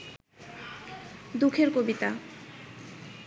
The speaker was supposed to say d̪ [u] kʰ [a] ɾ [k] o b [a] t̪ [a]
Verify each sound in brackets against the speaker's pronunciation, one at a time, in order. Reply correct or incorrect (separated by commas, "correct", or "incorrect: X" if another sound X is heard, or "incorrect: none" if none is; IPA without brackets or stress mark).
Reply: correct, incorrect: e, correct, incorrect: i, correct